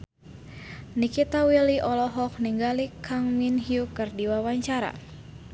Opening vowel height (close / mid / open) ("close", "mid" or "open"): close